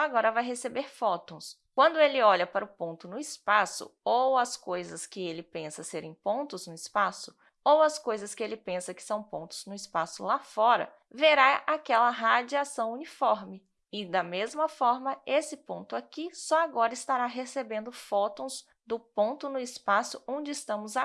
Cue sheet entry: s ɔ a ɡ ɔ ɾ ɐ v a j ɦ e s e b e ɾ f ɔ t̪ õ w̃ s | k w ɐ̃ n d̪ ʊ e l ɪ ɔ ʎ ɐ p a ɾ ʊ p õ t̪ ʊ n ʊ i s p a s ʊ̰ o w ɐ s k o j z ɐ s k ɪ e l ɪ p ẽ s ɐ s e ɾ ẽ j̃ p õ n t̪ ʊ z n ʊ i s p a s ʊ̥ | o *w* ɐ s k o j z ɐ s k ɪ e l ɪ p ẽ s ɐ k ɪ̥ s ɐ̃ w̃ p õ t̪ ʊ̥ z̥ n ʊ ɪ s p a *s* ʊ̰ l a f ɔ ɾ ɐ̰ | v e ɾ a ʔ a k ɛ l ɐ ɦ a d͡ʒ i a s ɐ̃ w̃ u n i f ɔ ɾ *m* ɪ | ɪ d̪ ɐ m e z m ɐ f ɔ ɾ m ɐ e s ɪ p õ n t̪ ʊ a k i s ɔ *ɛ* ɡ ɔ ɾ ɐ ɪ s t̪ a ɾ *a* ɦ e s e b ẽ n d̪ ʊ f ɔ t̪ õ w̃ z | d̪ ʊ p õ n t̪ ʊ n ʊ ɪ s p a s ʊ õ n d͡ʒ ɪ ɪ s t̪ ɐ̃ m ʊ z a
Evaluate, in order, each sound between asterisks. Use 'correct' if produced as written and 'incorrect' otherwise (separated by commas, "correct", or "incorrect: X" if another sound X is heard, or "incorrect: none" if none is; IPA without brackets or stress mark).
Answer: correct, correct, correct, incorrect: a, correct